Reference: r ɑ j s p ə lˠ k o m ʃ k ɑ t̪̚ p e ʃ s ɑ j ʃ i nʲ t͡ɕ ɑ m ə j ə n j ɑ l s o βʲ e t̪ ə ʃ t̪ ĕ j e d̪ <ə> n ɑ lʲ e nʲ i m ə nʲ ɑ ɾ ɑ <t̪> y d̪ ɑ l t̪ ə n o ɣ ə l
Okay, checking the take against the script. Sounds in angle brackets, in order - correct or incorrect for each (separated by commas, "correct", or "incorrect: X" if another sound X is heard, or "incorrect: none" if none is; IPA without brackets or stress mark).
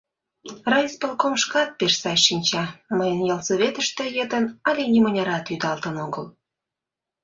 correct, correct